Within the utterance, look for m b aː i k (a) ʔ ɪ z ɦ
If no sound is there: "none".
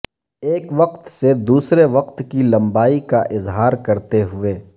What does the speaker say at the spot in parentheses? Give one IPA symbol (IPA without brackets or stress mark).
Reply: a